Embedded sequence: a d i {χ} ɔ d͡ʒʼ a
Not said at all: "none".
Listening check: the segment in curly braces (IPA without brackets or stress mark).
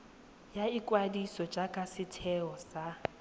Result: s